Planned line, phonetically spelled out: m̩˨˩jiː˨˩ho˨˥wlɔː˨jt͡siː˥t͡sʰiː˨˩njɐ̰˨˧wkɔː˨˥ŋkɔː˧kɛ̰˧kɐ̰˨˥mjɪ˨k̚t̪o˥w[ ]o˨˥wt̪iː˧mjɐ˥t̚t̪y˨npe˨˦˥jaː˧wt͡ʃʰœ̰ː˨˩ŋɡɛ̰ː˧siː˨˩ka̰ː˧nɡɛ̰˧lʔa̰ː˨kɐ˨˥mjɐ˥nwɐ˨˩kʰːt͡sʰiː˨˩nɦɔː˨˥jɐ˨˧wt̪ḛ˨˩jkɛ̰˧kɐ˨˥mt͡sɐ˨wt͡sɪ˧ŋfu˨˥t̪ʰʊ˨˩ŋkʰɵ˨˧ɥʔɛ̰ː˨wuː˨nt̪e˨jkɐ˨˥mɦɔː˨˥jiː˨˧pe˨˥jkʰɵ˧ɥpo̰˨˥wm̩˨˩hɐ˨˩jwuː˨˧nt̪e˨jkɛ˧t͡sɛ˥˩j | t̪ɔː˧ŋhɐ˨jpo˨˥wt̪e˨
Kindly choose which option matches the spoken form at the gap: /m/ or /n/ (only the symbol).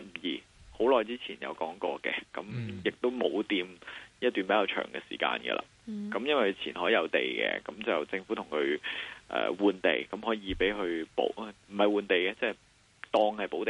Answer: m